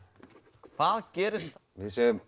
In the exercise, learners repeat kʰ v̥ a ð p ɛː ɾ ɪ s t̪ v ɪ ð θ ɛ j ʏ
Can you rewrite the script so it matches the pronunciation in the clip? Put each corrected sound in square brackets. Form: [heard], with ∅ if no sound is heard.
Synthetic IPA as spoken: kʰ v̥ a ð [c] ɛː ɾ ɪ s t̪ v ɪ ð [s] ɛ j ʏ